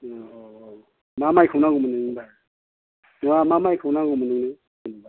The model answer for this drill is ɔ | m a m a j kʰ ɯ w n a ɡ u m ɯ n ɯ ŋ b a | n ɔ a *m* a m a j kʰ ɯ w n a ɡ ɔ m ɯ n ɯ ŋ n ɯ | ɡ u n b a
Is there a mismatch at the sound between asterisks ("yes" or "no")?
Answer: no